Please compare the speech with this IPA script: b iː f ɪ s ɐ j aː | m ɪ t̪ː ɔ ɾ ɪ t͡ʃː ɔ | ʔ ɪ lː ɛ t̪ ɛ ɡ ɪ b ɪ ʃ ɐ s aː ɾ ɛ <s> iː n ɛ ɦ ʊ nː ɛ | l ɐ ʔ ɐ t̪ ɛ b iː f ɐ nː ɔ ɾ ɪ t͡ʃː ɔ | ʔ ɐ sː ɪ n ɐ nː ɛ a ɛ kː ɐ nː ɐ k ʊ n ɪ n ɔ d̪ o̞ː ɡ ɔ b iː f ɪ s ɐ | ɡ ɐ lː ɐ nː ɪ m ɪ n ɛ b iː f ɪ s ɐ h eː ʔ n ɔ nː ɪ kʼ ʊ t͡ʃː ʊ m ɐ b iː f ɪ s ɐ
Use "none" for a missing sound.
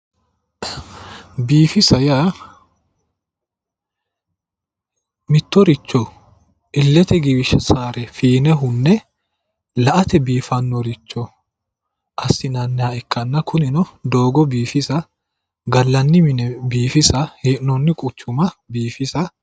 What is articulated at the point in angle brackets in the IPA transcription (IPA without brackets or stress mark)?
f